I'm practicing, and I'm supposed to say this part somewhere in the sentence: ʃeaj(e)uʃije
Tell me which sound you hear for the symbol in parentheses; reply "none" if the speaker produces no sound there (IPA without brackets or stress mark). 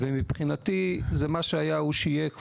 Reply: a